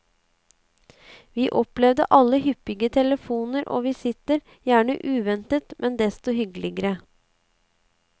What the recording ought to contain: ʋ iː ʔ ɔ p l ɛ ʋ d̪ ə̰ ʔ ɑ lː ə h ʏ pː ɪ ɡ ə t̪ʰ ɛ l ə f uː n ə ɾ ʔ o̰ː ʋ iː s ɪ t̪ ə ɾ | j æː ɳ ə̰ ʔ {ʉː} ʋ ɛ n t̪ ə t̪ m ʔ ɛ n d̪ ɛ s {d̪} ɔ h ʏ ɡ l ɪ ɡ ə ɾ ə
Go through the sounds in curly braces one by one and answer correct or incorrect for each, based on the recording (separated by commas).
correct, incorrect